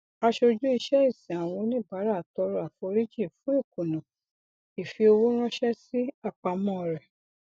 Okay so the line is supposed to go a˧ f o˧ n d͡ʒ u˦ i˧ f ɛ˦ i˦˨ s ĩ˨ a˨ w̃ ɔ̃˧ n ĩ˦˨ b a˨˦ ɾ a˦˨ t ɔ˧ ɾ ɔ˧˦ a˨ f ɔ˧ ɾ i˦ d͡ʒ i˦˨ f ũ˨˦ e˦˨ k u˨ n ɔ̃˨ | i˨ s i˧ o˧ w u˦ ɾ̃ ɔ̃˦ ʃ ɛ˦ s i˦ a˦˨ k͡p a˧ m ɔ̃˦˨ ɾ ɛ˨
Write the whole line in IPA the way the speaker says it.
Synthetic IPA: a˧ ʃ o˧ d͡ʒ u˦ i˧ ʃ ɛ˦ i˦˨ s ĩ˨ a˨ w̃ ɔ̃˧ n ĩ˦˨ b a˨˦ ɾ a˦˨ t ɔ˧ ɾ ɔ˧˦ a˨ f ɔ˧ ɾ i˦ d͡ʒ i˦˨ f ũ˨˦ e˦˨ k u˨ n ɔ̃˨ | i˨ f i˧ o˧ w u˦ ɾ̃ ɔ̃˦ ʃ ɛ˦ s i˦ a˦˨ k͡p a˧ m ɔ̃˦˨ ɾ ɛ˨